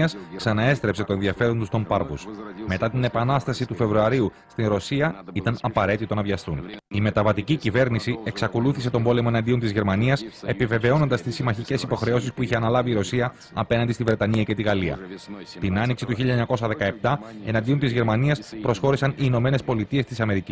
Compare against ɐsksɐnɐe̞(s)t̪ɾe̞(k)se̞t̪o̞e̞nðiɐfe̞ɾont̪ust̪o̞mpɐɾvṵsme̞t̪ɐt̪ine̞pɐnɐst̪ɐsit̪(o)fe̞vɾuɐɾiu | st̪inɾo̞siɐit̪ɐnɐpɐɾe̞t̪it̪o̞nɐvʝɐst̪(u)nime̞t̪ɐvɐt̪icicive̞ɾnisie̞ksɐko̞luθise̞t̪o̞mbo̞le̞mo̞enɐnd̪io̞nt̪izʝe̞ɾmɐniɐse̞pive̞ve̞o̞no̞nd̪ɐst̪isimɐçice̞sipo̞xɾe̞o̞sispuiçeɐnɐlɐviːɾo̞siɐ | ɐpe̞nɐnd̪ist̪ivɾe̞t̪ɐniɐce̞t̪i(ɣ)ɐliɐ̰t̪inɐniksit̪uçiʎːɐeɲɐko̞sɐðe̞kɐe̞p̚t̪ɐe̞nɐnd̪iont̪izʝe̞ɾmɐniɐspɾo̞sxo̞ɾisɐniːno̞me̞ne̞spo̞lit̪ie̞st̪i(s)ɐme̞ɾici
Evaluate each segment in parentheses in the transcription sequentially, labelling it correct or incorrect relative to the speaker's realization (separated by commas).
correct, incorrect, incorrect, correct, correct, correct